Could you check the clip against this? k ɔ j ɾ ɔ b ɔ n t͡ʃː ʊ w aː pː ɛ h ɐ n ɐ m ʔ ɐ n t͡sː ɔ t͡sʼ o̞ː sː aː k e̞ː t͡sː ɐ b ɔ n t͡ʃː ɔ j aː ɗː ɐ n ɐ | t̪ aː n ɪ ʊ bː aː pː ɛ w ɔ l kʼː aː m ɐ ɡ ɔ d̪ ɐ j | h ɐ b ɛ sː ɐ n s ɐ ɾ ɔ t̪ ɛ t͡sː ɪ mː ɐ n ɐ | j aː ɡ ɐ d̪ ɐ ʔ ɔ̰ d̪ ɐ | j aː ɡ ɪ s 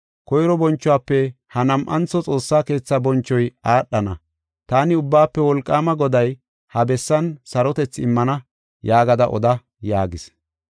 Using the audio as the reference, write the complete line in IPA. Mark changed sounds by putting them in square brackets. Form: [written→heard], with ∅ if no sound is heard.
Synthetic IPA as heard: k ɔ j ɾ ɔ b ɔ n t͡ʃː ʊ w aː pː ɛ h ɐ n ɐ m ʔ ɐ n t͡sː ɔ t͡sʼ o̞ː sː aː k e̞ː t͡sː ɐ b ɔ n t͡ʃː ɔ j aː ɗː ɐ n ɐ | t̪ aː n ɪ ʊ bː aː pː ɛ w ɔ l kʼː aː m ɐ ɡ ɔ d̪ ɐ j | h ɐ b ɛ sː ɐ n s ɐ ɾ ɔ t̪ ɛ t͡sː ɪ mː ɐ n ɐ | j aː ɡ ɐ d̪ ɐ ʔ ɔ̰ d̪ ɐ | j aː ɡ ɪ s